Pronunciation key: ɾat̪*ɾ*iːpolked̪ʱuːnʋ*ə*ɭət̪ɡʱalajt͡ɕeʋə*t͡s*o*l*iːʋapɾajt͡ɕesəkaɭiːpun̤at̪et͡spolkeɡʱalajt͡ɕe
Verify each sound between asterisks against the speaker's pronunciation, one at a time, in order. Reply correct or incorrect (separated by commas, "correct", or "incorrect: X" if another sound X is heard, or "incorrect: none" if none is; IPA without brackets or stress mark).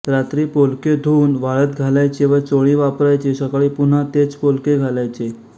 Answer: correct, incorrect: a, correct, incorrect: ɭ